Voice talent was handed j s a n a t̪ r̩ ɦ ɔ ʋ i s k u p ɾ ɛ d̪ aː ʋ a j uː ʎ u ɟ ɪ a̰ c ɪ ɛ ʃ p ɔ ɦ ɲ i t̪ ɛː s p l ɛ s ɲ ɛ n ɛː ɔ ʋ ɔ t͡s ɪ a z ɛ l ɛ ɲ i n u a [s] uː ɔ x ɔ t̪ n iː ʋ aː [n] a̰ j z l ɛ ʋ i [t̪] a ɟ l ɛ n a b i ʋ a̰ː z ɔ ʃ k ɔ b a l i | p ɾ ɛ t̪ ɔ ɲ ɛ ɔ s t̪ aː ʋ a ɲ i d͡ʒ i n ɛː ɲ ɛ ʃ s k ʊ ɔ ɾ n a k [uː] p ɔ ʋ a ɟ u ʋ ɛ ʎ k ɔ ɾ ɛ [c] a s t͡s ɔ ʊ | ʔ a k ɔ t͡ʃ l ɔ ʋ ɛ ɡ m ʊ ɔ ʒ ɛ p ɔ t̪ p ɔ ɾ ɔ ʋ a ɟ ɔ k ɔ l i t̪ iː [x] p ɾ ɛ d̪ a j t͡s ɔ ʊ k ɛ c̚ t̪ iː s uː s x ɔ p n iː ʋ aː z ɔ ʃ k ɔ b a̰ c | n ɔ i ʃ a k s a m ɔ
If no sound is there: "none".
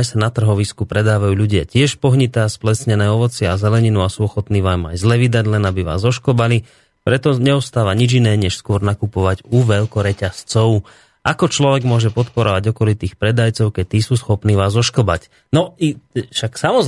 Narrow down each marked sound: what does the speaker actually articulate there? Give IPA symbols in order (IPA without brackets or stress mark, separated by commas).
s, m, d̪, u, c, x